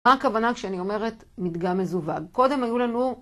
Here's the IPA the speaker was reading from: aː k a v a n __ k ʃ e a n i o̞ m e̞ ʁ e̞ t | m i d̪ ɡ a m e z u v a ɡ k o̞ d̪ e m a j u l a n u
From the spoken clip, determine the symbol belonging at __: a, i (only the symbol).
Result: a